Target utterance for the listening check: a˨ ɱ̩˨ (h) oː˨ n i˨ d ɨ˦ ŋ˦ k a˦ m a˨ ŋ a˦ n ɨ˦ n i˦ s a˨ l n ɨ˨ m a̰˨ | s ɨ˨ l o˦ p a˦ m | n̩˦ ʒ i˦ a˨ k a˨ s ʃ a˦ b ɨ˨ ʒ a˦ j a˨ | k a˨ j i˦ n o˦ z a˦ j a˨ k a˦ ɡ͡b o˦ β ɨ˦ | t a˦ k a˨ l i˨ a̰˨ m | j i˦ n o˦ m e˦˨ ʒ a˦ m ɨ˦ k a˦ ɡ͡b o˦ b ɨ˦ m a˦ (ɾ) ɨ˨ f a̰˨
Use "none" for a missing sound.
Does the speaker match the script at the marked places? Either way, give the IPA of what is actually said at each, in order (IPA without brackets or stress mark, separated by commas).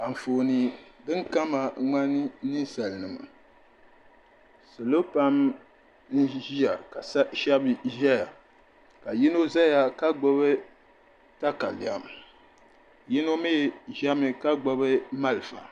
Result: f, l